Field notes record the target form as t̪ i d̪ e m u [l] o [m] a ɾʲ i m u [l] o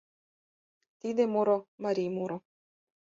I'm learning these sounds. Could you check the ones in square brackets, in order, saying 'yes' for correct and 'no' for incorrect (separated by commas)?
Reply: no, yes, no